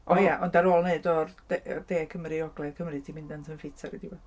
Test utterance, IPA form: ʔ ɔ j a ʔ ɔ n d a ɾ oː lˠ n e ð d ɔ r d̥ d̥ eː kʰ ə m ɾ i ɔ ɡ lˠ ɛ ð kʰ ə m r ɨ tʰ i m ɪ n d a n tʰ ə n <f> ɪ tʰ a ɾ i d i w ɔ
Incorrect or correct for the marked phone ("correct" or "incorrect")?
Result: correct